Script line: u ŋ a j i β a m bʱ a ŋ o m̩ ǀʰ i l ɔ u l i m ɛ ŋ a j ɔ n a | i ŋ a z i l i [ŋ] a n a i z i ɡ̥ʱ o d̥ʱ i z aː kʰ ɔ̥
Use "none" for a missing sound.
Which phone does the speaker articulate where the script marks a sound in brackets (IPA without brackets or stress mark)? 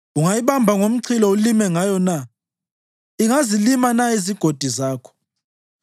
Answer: m